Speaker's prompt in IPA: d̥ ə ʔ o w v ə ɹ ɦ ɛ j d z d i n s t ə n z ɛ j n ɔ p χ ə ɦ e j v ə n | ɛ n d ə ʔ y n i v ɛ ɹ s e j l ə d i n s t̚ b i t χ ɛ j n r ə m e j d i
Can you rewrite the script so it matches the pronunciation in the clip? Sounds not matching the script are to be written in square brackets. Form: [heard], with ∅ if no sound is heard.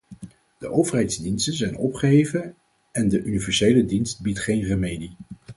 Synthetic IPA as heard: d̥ ə ʔ o w v ə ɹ ɦ ɛ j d z d i n s t ə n z ɛ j n ɔ p χ ə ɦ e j v ə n | ɛ n d ə ʔ y n i v ɛ ɹ s e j l ə d i n s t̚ b i t χ [e] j n r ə m e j d i